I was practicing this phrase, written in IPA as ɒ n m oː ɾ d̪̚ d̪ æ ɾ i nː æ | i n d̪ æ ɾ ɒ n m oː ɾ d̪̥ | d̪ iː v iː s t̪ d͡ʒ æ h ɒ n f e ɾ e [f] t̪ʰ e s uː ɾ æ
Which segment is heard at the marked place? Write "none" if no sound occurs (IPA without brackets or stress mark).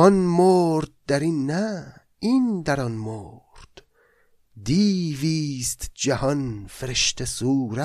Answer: ʃ